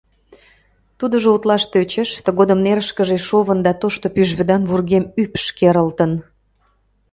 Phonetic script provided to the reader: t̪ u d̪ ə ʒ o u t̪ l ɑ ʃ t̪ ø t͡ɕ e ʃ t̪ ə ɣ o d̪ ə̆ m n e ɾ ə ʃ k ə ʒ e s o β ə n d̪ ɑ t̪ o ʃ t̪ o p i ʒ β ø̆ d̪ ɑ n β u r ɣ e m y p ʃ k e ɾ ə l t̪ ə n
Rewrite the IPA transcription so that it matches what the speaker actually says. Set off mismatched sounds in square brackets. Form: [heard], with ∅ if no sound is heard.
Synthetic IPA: t̪ u d̪ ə ʒ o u t̪ l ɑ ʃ t̪ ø t͡ɕ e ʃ t̪ ə ɣ o d̪ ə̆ m n e ɾ ə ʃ k ə ʒ e [ʃ] o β ə n d̪ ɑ t̪ o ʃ t̪ o p [y] ʒ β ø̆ d̪ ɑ n β u r ɣ e m y p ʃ k e ɾ ə l t̪ ə n